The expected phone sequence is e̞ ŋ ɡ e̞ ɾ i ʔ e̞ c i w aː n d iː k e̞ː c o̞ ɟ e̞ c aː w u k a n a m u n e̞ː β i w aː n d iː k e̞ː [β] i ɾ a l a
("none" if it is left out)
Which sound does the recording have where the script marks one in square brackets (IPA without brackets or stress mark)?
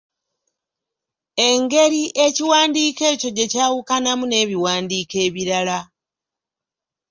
β